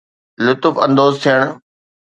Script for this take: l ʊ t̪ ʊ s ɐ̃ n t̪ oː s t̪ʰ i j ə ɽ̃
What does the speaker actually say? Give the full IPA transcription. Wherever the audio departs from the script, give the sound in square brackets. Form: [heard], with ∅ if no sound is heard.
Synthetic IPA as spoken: l ʊ t̪ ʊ [f] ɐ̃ n [d̪] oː [z] t̪ʰ i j ə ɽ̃